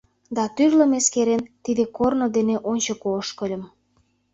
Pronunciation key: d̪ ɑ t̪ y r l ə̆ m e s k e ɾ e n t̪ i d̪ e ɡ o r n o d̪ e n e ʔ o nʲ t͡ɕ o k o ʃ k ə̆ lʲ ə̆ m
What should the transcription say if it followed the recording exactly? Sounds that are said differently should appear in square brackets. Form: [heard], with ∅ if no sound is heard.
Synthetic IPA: d̪ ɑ t̪ y r l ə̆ m e s k e ɾ e n t̪ i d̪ e [k] o r n o d̪ e n e ʔ o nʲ t͡ɕ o k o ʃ k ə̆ lʲ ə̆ m